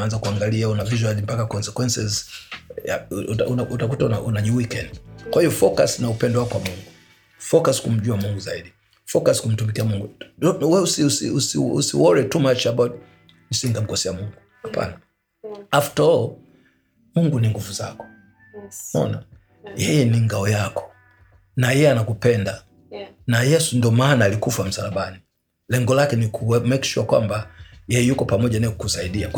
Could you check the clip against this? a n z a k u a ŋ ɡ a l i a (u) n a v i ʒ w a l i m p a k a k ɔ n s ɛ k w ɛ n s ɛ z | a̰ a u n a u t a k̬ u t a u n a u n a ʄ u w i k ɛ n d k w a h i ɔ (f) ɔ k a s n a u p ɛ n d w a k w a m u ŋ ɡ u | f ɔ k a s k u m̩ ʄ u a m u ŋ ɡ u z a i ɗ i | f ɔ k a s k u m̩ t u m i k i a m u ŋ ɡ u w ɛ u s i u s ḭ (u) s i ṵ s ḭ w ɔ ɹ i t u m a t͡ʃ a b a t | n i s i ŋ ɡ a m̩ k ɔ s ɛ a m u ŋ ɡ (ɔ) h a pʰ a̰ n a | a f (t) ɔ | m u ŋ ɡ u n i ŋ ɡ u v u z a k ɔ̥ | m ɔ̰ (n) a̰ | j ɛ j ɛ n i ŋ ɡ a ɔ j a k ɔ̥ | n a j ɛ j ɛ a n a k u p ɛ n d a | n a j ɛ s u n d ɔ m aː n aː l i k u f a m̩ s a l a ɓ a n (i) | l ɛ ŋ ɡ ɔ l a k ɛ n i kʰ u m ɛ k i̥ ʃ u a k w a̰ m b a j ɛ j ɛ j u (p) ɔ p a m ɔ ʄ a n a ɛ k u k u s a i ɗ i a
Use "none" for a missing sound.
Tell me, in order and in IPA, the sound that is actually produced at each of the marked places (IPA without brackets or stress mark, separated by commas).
u, f, u, u, t, n, i, k